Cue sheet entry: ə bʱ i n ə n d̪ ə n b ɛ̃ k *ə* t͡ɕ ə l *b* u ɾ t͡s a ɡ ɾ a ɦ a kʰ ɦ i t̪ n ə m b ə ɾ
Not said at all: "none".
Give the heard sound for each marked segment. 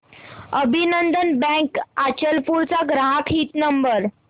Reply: a, p

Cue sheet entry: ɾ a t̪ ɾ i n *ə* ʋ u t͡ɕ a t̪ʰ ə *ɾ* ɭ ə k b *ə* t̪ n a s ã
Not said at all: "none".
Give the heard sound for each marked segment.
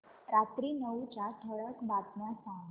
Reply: ə, none, a

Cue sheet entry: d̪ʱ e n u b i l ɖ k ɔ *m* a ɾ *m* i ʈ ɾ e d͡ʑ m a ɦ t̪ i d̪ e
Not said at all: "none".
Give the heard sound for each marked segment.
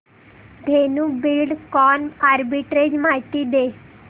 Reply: n, b

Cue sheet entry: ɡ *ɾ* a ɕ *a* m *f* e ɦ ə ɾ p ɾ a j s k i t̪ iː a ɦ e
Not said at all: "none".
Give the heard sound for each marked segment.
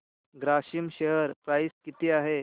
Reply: ɾ, i, ɕ

